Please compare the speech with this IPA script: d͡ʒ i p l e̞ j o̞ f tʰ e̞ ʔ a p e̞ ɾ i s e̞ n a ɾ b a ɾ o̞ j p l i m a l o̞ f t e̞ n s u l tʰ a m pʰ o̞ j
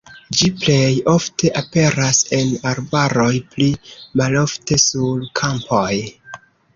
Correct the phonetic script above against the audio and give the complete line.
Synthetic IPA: d͡ʒ i p l e̞ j o̞ f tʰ e̞ ʔ a p e̞ ɾ a s e̞ n a ɾ b a ɾ o̞ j p l i m a l o̞ f t e̞ s u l kʰ a m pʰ o̞ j